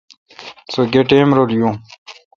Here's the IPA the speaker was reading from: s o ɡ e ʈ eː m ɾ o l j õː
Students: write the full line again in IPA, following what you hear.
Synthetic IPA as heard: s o ɡ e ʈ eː m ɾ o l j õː